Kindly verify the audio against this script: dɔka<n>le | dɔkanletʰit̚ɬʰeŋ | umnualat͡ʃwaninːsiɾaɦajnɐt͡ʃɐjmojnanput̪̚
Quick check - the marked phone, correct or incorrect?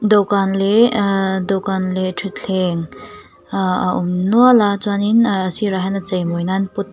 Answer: correct